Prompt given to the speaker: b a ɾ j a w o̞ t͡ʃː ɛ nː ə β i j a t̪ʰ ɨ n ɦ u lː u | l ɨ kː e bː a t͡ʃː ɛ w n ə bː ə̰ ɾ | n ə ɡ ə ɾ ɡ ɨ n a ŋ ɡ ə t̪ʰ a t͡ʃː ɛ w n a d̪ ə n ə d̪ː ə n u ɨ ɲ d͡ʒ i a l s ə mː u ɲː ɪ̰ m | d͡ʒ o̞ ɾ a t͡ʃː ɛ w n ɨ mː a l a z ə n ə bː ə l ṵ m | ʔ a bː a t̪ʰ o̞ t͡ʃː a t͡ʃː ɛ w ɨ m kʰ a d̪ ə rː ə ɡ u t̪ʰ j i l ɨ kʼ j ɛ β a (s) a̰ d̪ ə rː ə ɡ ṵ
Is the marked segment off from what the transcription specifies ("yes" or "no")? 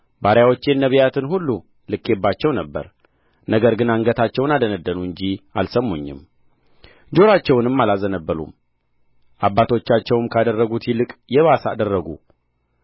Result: no